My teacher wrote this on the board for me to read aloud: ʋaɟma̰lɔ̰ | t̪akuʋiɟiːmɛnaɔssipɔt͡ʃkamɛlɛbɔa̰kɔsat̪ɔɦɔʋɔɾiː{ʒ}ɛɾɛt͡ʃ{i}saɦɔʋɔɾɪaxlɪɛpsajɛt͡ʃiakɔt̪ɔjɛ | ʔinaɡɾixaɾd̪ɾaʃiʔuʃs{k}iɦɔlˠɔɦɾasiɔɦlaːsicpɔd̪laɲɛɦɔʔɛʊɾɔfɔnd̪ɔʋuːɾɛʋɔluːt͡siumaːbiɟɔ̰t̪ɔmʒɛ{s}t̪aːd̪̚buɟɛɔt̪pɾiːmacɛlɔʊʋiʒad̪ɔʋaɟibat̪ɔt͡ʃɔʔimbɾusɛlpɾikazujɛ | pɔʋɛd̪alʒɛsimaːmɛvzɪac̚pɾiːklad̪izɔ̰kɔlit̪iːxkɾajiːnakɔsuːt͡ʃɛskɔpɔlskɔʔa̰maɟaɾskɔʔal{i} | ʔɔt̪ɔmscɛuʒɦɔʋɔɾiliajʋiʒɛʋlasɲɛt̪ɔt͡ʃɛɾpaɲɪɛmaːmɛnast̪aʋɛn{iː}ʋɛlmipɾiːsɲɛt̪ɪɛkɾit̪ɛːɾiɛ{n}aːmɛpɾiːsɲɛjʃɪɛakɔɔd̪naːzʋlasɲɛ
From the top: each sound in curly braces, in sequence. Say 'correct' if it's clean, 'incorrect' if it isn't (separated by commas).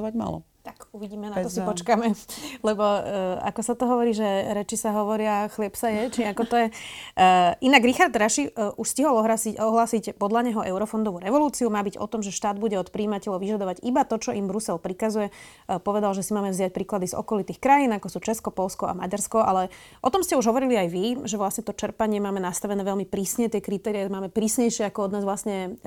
correct, correct, incorrect, incorrect, incorrect, incorrect, incorrect